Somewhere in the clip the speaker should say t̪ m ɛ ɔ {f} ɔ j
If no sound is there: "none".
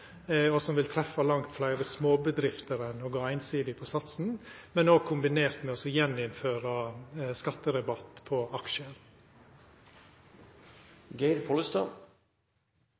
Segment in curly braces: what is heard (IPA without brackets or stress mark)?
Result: s